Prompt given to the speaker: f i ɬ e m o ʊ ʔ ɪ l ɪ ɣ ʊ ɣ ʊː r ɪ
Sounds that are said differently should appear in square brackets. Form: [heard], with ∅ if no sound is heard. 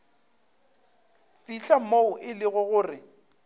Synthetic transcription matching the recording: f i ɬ [a] m o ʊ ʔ ɪ l ɪ ɣ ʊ ɣ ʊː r ɪ